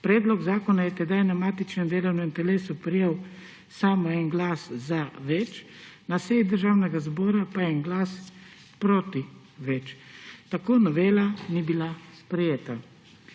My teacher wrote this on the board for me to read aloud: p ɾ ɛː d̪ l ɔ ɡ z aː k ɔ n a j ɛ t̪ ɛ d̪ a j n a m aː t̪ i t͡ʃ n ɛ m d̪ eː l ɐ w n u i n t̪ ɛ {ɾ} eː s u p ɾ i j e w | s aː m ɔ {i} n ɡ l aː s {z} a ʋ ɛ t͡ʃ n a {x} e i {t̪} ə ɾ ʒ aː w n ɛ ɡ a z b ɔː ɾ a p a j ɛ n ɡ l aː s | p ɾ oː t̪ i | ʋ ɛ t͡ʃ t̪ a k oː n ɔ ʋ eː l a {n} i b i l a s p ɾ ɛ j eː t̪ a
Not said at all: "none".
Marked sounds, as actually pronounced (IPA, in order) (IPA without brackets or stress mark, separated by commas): l, ɛ, z, s, d̪, n